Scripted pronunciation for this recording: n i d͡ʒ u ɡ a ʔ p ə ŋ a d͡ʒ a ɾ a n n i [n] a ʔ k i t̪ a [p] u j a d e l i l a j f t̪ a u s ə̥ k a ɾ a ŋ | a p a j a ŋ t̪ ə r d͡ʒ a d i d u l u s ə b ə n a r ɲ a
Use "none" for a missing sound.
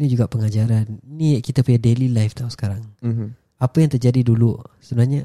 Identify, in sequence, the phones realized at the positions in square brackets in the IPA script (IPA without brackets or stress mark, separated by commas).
none, p